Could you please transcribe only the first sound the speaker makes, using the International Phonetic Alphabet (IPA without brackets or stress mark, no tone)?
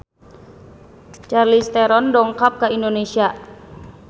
t͡ʃ